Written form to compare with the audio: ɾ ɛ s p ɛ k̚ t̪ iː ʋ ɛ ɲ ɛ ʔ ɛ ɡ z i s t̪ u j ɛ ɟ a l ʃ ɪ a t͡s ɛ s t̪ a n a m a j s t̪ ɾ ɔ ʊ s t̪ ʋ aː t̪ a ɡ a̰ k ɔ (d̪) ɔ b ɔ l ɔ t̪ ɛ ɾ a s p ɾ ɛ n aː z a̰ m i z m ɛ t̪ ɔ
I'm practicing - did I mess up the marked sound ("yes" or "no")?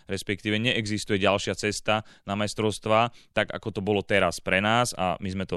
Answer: yes